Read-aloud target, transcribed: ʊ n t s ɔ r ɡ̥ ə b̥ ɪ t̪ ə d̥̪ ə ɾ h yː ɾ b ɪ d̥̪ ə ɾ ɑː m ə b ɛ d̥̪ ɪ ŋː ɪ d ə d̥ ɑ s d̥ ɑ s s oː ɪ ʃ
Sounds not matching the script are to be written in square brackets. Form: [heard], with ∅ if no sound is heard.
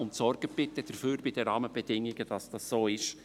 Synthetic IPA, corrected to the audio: ʊ n t s ɔ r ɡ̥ ə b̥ ɪ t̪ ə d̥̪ ə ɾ [f] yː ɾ b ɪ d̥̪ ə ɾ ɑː m ə b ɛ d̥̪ ɪ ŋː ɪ [ɡ] ə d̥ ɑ s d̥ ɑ s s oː ɪ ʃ

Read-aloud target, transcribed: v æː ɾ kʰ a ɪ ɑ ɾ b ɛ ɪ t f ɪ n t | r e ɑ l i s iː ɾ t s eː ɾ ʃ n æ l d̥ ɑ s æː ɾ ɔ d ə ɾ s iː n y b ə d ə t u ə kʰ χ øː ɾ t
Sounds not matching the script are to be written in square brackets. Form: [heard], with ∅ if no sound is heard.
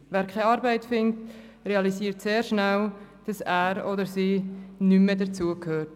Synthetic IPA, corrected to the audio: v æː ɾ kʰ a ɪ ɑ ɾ b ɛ ɪ t f ɪ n t | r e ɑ l i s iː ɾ t s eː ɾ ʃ n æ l d̥ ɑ s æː ɾ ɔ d ə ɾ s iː n y [m] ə d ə [t͡s] u ə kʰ [h] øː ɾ t

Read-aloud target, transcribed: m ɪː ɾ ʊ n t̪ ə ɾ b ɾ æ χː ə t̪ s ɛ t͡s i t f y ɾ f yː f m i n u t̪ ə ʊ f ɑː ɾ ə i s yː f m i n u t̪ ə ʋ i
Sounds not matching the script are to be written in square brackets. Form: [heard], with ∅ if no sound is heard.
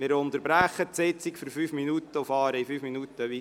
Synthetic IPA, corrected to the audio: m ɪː ɾ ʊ n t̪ ə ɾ b ɾ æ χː ə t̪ s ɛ t͡s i [k] f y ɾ f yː f m i n u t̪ ə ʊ f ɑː ɾ ə i [f] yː f m i n u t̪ ə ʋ i

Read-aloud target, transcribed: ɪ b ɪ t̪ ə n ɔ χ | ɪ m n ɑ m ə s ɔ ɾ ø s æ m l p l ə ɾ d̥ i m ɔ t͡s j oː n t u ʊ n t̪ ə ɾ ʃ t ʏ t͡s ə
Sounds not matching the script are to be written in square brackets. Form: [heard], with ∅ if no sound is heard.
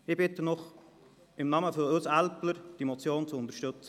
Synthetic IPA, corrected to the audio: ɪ b ɪ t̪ ə n ɔ χ | ɪ m n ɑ m ə [f] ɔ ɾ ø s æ [∅] l p l ə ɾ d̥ i m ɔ t͡s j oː n [t͡s] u ʊ n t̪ ə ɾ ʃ t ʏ t͡s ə

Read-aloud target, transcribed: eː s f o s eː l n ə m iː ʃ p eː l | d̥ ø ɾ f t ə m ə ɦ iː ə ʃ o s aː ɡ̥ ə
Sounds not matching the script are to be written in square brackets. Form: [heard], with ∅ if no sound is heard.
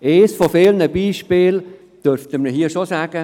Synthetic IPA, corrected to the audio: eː s f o [f] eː l n ə [b] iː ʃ p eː l | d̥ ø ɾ f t ə m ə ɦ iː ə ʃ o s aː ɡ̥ ə

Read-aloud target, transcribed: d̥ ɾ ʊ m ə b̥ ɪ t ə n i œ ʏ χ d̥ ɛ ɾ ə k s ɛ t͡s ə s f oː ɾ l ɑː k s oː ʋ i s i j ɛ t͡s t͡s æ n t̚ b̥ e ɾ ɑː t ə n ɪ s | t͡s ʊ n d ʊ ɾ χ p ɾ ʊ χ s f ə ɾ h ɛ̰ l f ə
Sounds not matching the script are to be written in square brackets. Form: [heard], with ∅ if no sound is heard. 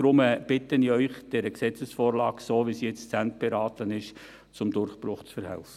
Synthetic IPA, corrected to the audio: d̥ ɾ ʊ m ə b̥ ɪ t ə n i œ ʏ χ d̥ ɛ ɾ ə k s ɛ t͡s ə s f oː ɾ l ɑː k s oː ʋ i s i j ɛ t͡s t͡s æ n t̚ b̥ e ɾ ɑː t ə n ɪ [ʃ] | t͡s ʊ [m] d ʊ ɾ χ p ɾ ʊ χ [t͡s] f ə ɾ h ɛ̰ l f ə

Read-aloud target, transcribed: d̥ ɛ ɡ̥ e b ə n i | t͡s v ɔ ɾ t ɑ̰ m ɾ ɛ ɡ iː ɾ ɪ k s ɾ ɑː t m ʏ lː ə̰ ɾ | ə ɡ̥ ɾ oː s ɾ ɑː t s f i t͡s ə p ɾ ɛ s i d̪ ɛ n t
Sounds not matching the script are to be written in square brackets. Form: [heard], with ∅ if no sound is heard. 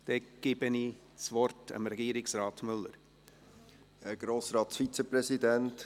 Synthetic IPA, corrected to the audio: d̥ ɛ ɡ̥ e b ə n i | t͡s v ɔ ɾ t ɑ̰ m ɾ ɛ ɡ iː ɾ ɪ k s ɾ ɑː t m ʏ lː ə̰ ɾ | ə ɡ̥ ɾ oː s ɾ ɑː t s f i t͡s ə p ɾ ɛ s i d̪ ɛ n t

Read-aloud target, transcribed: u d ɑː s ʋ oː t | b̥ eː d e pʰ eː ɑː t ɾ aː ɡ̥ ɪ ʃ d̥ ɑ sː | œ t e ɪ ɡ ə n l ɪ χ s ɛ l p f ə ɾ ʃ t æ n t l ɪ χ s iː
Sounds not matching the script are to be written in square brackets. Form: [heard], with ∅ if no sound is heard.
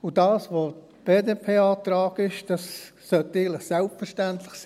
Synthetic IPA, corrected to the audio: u d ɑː s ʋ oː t | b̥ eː d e pʰ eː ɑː t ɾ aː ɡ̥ ɪ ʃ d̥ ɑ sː | œ t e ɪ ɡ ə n l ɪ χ s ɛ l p f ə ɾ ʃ t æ n t l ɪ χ s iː

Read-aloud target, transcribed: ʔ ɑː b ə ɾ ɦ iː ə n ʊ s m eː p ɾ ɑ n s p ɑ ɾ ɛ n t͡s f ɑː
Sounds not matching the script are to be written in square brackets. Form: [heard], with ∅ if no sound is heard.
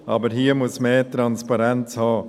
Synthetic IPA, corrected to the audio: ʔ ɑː b ə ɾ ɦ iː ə [m] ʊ s m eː [t] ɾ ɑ n s p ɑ ɾ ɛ n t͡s [h] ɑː

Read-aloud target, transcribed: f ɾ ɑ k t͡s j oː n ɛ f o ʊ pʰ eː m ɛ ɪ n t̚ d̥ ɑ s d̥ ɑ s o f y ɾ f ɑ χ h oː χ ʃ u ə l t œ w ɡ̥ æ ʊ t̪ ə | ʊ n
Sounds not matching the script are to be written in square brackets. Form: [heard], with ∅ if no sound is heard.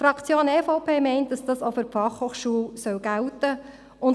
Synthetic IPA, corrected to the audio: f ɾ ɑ k t͡s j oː n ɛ f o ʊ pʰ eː m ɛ ɪ n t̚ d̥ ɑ s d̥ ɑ s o f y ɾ f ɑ χ h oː χ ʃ u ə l [s] œ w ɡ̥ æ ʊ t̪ ə | ʊ n

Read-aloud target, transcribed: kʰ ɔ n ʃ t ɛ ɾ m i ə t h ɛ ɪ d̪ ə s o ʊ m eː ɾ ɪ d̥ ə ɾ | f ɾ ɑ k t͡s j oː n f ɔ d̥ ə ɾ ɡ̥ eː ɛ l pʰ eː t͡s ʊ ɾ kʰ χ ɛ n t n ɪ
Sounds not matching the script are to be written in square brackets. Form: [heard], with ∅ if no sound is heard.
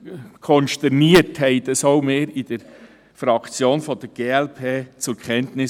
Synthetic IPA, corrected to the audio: kʰ ɔ n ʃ t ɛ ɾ [n] i ə t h ɛ ɪ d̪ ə s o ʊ m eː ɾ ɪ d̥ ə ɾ | f ɾ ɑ k t͡s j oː n f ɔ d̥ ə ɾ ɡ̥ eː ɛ l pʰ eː t͡s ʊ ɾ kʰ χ ɛ n t n ɪ

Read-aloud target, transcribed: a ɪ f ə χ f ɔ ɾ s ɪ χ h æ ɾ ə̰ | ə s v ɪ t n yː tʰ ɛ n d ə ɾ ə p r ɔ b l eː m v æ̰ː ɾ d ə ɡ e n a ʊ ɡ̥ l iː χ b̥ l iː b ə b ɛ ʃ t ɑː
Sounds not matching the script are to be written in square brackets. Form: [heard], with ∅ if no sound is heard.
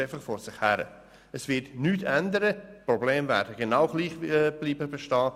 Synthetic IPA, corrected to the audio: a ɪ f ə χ f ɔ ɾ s ɪ χ h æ ɾ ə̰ | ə s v ɪ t n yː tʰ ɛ n d ə ɾ ə p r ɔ b l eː m v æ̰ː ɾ d ə ɡ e n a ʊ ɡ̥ l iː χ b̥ l iː b ə b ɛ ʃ t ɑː

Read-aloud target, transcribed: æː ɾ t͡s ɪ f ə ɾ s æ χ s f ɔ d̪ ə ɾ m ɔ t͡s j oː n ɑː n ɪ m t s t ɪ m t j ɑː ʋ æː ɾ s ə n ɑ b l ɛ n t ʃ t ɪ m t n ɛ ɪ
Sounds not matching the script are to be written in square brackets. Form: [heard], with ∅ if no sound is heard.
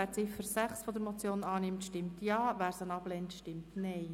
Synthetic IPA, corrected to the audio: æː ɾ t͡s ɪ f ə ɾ s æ χ s f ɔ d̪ ə ɾ m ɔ t͡s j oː n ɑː n ɪ m t [ʃ] t ɪ m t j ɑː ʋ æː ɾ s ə n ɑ b l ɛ n t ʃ t ɪ m t n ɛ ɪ

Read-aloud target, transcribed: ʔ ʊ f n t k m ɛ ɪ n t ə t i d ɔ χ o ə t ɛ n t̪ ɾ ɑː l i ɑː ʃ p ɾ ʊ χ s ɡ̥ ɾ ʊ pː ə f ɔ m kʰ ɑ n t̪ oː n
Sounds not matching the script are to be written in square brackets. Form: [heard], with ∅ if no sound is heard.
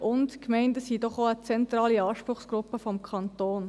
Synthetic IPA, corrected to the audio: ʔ ʊ [∅] n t k m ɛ ɪ n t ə [s] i d ɔ χ o ə [t͡s] ɛ n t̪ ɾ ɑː l i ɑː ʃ p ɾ ʊ χ s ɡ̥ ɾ ʊ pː ə f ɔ m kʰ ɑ n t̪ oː n

